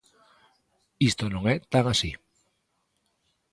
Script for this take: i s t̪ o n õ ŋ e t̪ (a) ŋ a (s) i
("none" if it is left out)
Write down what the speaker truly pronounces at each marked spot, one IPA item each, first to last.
a, s

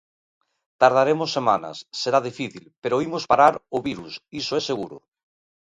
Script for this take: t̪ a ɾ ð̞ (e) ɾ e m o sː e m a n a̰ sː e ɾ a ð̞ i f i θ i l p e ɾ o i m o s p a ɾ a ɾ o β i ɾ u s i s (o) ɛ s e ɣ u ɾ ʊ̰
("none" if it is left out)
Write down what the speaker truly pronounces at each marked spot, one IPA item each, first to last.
a, o

